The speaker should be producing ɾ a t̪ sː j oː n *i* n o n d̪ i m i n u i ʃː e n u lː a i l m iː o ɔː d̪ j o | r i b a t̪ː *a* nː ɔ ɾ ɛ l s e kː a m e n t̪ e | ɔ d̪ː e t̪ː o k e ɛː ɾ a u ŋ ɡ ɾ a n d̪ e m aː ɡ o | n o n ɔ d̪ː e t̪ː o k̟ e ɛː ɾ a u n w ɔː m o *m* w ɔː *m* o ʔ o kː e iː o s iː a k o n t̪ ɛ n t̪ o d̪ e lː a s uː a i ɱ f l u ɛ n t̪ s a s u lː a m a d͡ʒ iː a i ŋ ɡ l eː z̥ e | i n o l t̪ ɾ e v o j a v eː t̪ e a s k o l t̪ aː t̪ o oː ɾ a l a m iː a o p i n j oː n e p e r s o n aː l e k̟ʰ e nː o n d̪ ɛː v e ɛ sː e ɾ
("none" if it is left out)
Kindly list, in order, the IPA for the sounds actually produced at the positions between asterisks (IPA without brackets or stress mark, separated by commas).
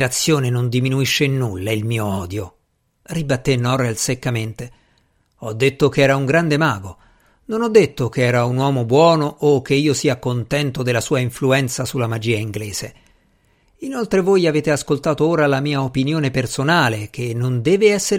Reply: e, e, b, n